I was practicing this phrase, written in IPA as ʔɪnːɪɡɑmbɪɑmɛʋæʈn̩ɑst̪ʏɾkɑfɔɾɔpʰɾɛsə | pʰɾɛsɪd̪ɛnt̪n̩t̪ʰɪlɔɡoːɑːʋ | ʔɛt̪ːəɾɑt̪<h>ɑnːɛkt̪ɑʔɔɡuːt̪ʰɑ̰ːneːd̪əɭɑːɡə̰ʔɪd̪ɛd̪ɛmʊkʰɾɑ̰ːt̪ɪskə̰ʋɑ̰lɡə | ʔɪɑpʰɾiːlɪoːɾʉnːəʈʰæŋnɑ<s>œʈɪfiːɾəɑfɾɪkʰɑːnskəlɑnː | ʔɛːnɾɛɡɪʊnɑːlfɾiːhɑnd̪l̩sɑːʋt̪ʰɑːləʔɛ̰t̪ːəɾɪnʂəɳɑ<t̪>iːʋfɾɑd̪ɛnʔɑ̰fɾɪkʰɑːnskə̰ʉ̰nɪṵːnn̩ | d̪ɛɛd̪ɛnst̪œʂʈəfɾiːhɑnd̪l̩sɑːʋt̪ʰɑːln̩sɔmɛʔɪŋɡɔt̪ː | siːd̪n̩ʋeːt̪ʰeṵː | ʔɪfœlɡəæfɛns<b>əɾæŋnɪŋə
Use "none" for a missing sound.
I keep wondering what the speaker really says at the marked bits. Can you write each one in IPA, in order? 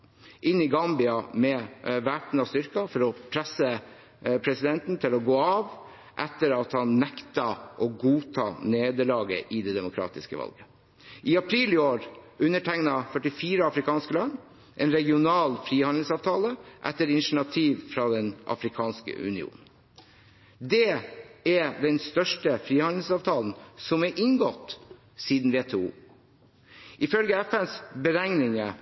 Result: h, f, t̪ʰ, b

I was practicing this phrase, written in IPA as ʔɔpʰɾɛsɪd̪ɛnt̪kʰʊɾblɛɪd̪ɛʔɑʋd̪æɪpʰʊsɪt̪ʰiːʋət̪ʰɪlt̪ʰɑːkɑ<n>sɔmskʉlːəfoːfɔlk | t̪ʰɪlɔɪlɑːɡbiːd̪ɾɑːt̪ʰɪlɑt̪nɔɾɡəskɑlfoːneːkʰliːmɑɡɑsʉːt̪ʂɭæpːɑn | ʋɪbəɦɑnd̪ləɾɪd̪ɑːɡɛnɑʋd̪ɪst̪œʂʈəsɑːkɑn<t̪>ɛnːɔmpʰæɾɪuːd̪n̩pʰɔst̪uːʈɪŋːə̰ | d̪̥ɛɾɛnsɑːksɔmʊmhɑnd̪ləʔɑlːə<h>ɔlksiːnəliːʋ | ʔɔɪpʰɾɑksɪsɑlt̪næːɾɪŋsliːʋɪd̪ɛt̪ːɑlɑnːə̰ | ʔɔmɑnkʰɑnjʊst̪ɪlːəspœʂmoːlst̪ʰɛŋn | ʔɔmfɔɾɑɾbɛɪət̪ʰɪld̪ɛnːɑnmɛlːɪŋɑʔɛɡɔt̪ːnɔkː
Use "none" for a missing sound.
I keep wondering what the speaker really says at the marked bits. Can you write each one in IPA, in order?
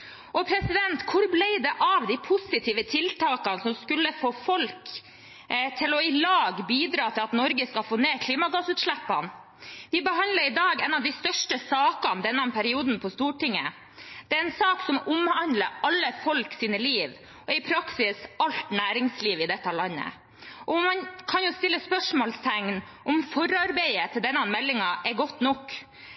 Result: n, d̪, f

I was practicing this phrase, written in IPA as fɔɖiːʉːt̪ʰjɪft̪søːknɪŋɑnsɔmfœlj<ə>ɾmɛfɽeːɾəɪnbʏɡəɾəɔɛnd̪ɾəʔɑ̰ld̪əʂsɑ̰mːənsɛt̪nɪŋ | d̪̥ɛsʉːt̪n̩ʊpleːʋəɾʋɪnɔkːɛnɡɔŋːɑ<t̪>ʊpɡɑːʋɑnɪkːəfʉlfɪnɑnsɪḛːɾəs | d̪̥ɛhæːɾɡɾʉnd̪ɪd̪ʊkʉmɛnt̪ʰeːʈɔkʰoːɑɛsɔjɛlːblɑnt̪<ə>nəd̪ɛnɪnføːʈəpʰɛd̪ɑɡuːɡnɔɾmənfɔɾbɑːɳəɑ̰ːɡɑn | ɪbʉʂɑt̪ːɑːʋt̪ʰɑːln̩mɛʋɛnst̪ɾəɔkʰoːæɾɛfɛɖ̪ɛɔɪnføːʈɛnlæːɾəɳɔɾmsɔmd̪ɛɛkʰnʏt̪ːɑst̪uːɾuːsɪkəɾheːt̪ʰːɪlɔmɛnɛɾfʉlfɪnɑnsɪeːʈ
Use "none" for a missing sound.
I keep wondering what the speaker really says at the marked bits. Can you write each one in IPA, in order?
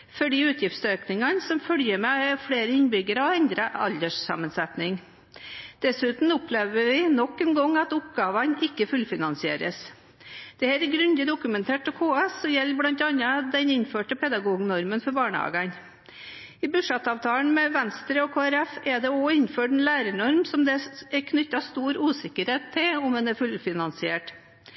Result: ə, t̪, ɑ

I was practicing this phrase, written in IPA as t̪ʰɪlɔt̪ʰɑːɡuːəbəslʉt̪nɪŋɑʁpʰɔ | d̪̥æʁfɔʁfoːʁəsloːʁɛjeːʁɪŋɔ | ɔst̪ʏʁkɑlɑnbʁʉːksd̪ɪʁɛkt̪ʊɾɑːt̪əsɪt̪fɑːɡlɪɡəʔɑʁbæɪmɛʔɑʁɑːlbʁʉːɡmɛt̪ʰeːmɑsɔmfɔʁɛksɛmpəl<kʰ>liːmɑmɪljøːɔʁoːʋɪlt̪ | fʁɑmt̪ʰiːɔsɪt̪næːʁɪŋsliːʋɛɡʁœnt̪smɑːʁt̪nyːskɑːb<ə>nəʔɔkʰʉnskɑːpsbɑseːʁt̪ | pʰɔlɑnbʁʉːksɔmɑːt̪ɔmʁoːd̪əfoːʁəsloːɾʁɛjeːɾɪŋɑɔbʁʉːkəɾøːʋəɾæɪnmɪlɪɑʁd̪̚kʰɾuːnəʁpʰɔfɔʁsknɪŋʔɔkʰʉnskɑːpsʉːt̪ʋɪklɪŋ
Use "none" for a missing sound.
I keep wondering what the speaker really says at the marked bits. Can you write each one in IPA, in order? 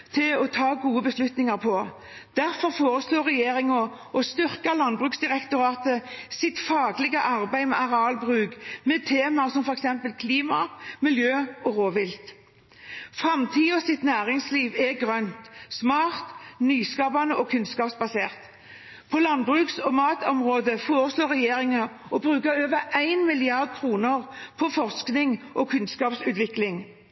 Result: kʰ, ɑ

